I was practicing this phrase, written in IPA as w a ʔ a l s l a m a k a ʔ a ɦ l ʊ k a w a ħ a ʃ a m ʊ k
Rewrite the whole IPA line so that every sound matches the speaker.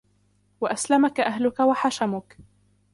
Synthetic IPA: w a ʔ a s l a m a k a ʔ a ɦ l ʊ k a w a ħ a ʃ a m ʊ k